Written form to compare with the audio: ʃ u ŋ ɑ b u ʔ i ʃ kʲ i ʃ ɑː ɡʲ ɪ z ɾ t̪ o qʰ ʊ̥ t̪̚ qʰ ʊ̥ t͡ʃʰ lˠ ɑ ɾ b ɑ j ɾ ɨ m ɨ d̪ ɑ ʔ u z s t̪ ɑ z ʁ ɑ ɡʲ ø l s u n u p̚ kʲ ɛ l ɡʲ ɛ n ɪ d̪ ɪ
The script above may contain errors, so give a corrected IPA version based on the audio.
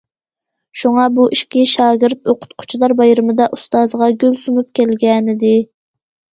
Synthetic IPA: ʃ u ŋ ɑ b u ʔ i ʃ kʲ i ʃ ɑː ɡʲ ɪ ɾ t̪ o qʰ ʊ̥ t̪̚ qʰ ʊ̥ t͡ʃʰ lˠ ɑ ɾ b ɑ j ɾ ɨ m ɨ d̪ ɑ ʔ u s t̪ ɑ z ʁ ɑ ɡʲ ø l s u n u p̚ kʲ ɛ l ɡʲ ɛ n ɪ d̪ ɪ